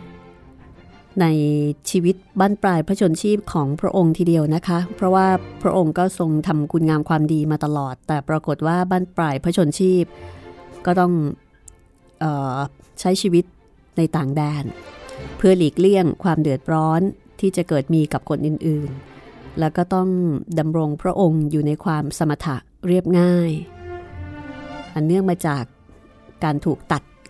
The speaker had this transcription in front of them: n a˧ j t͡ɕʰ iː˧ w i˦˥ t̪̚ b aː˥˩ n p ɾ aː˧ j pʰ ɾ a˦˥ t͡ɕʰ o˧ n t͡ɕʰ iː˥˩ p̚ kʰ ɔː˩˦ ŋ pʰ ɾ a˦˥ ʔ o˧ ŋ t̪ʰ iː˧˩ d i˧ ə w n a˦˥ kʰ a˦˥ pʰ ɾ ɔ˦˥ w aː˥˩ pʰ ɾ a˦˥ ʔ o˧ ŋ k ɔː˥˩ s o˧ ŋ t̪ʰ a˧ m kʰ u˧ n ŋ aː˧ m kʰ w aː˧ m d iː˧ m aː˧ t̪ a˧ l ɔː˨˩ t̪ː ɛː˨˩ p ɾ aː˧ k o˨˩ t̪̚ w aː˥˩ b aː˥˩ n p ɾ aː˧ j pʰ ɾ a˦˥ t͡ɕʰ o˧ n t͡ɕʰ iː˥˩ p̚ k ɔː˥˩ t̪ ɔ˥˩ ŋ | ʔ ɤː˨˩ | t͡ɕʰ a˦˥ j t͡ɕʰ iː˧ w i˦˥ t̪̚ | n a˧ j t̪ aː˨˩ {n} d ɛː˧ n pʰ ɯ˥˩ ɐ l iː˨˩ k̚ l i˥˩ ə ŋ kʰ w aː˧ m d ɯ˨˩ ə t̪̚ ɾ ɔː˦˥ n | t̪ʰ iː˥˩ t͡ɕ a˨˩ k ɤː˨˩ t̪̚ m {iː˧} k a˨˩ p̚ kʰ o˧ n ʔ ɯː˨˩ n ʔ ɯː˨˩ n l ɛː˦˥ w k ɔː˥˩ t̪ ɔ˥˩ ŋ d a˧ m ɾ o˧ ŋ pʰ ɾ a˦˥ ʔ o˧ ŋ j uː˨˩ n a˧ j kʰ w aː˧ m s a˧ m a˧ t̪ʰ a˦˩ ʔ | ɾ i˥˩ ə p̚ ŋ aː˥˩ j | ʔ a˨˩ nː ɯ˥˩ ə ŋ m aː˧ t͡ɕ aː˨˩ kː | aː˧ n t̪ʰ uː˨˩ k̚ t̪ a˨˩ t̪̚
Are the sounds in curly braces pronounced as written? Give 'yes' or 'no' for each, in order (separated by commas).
no, yes